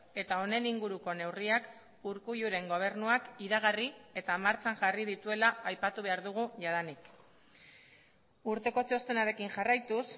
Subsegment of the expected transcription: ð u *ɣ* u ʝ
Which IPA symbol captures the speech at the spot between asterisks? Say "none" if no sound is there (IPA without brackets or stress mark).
ɣ